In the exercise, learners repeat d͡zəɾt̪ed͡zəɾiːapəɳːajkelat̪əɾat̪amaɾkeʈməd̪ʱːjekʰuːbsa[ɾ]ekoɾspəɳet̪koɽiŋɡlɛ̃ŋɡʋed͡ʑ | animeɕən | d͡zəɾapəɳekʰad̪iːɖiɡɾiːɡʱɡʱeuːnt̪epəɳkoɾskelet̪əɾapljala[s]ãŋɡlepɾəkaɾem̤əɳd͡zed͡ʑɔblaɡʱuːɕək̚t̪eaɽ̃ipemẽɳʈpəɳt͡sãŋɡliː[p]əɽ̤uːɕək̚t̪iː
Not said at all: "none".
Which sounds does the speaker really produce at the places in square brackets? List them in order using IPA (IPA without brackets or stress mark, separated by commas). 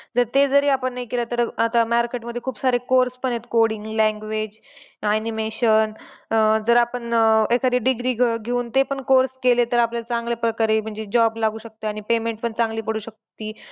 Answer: ɾ, t͡s, p